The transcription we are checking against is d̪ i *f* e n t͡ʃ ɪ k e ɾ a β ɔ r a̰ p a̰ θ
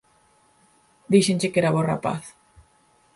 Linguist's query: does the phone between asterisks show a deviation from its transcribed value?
yes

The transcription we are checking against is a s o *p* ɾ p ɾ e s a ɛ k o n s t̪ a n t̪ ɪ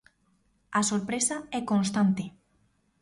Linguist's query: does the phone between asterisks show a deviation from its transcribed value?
yes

